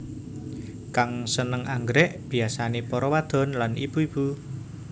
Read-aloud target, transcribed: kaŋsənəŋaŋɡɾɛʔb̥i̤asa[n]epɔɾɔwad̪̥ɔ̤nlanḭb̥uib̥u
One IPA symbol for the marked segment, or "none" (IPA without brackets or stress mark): n